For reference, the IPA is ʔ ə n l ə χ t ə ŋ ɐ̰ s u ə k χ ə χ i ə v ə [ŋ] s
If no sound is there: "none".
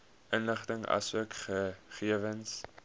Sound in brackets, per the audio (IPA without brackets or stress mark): n